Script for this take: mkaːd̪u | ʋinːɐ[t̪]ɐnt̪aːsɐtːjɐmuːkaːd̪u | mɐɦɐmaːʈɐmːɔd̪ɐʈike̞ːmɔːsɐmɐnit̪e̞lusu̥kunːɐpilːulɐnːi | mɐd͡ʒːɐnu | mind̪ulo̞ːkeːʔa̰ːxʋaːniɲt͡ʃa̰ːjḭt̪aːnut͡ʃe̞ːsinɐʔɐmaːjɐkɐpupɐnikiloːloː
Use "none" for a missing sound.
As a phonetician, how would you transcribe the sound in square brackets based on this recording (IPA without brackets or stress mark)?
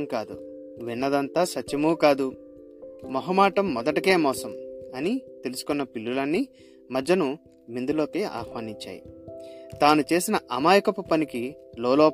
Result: d̪